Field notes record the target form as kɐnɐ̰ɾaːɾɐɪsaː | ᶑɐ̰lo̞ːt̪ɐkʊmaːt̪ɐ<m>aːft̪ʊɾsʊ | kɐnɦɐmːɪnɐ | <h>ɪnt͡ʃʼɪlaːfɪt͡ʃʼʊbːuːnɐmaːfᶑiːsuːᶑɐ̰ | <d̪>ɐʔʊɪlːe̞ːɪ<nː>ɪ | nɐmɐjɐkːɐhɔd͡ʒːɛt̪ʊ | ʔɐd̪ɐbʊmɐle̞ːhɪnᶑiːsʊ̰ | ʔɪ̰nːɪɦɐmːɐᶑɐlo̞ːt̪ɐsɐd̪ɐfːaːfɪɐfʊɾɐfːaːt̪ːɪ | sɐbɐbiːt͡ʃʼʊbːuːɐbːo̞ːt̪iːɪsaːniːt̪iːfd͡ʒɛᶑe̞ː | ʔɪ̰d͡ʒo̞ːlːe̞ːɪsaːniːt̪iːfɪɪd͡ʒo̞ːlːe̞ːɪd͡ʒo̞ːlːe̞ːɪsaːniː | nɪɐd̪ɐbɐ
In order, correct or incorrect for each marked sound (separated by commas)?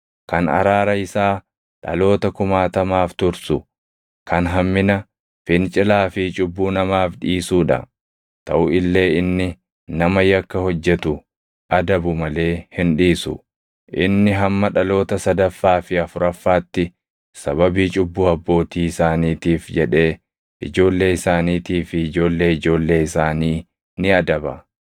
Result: correct, incorrect, incorrect, correct